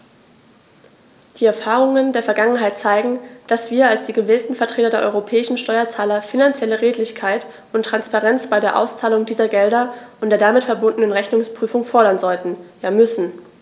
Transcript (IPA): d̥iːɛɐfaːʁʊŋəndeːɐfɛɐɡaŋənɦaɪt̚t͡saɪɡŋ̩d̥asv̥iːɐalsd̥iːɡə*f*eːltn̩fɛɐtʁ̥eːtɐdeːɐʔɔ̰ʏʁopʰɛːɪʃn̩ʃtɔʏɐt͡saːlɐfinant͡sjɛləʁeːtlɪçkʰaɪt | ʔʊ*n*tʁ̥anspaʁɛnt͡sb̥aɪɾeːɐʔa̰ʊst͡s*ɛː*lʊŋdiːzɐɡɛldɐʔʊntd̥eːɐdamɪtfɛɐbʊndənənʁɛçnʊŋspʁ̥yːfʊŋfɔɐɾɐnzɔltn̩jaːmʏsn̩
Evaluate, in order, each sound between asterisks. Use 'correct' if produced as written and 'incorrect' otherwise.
incorrect: v, correct, incorrect: aː

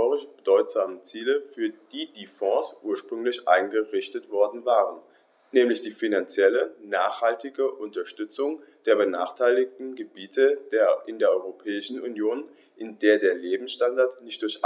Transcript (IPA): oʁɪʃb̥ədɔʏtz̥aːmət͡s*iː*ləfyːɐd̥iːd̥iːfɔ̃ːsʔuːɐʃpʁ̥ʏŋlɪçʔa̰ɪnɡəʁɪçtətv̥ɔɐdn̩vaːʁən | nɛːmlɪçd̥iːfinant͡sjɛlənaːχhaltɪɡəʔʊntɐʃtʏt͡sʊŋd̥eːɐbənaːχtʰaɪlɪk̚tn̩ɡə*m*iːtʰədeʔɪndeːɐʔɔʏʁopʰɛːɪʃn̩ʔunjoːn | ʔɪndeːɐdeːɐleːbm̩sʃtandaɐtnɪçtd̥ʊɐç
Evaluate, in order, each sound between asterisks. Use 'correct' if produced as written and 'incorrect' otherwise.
correct, incorrect: b

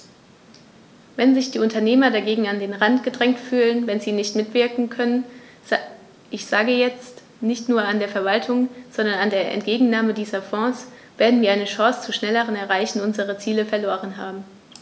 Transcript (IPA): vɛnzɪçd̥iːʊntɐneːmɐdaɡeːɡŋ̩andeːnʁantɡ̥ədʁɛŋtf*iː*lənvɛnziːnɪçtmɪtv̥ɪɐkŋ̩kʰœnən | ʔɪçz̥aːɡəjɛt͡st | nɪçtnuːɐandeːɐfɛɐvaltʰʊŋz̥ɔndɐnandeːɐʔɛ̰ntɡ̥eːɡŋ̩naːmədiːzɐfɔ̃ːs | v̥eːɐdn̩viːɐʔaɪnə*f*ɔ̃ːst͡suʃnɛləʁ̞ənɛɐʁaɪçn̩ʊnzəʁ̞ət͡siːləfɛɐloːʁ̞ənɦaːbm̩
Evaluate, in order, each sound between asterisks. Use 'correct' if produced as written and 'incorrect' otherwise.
incorrect: yː, incorrect: ʃ

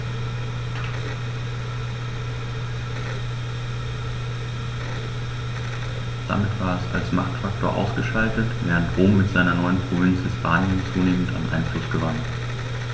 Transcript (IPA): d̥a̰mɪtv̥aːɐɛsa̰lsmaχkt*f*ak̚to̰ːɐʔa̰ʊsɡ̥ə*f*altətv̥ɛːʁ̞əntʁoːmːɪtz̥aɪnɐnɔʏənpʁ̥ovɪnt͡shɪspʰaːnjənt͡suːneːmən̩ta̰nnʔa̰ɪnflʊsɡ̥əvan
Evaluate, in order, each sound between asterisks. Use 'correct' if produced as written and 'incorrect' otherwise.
correct, incorrect: ʃ

